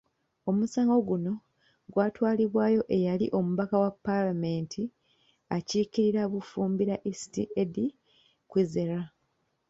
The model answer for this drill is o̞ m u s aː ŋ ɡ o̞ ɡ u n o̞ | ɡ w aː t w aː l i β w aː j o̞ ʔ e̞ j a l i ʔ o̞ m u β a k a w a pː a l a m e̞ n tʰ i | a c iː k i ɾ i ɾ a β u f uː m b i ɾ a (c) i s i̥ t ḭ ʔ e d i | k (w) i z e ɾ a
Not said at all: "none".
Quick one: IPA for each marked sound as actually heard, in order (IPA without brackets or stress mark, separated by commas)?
ʔ, w